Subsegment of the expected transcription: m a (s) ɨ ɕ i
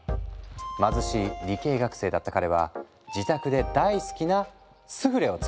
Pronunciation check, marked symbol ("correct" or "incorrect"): incorrect